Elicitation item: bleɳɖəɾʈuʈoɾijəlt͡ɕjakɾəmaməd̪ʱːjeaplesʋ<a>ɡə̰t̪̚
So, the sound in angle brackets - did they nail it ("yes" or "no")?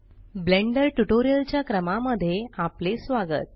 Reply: yes